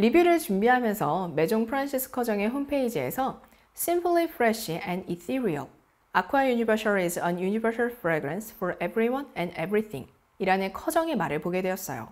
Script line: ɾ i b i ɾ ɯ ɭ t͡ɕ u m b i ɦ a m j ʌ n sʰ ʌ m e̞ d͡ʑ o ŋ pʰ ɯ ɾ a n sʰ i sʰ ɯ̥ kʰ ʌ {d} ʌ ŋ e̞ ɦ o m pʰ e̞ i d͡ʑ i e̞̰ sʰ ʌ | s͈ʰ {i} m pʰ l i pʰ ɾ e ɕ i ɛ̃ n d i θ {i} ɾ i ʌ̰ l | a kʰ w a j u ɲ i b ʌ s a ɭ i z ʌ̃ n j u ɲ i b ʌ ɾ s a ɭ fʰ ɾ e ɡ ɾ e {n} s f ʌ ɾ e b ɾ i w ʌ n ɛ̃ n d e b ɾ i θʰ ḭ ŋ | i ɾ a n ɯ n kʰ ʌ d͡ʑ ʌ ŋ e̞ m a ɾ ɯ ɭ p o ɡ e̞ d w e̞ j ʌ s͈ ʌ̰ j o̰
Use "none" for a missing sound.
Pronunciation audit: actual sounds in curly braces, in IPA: d͡ʑ, i, i, n

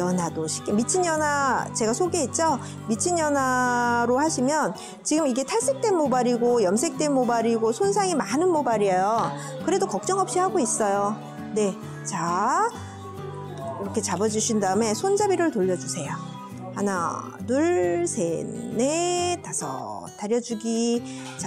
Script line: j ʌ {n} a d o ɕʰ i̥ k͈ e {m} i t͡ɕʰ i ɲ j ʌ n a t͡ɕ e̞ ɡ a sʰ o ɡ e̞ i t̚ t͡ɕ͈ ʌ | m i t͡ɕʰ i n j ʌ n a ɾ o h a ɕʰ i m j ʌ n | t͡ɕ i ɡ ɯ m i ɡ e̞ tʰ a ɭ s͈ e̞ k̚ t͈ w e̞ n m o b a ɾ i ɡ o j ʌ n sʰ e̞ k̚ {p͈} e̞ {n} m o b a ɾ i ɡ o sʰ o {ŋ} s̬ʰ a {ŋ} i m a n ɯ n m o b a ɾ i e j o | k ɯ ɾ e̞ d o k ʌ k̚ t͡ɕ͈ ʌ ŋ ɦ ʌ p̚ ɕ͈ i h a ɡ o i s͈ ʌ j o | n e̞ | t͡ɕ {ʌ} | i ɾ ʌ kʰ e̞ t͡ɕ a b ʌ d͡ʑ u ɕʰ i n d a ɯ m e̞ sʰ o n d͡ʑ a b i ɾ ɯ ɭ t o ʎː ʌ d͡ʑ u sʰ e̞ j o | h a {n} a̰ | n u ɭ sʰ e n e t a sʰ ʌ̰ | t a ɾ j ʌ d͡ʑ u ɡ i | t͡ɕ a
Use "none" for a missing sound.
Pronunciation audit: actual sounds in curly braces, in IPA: n, m, t͈, n, n, ŋ, a, n

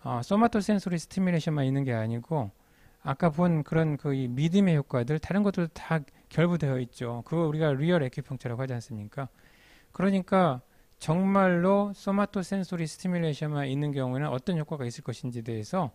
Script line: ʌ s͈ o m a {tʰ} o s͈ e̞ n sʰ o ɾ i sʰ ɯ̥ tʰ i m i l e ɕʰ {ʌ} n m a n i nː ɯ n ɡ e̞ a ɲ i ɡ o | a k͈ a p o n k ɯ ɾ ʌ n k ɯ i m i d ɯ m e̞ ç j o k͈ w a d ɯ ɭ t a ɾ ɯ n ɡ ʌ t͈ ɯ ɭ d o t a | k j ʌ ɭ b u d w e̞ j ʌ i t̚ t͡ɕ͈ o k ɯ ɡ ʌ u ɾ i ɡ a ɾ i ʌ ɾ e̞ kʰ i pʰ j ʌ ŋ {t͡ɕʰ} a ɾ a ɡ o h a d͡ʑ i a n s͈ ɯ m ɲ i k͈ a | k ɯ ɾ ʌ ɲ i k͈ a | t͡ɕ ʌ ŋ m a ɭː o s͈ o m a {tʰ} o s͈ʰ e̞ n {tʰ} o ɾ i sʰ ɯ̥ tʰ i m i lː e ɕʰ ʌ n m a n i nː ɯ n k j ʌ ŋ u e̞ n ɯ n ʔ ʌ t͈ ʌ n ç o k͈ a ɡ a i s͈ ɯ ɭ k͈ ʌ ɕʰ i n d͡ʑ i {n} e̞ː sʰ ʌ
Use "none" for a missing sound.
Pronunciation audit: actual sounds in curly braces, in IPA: tʰ, ʌ, t͡ɕʰ, tʰ, sʰ, d

